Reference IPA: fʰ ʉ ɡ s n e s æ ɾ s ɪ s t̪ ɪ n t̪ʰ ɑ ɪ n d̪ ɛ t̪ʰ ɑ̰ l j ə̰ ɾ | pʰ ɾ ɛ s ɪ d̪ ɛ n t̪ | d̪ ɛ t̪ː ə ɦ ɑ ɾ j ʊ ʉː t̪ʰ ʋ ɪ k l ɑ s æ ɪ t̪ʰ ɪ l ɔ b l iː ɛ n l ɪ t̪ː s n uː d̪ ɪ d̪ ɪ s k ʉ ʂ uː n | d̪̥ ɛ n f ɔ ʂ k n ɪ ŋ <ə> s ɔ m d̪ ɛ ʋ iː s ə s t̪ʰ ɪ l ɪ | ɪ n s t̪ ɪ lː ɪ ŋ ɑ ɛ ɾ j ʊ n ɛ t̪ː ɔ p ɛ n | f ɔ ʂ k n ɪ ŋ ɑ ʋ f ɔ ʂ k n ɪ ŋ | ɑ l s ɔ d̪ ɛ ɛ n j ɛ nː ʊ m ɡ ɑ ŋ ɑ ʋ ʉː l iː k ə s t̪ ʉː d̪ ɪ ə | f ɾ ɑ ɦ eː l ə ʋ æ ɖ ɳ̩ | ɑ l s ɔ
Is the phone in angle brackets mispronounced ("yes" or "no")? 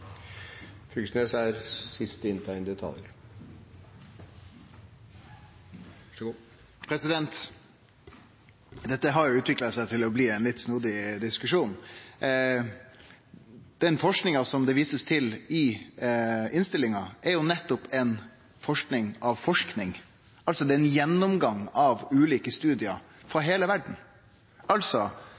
yes